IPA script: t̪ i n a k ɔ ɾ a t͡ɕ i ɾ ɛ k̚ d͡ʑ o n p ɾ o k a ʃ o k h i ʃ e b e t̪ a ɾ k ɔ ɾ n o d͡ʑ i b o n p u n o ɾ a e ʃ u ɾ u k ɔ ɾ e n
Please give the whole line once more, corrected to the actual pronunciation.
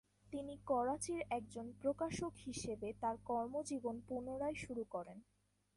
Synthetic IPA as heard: t̪ i n i k ɔ ɾ a t͡ɕ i ɾ ɛ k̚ d͡ʑ o n p ɾ o k a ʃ o k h i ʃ e b e t̪ a ɾ k ɔ ɾ m o d͡ʑ i b o n p u n o ɾ a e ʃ u ɾ u k ɔ ɾ e n